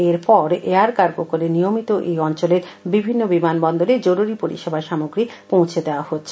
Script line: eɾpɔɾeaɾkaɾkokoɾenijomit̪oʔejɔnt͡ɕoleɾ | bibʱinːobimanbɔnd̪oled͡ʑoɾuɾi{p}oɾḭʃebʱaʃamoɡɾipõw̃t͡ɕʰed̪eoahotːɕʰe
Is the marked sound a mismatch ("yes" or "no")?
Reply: no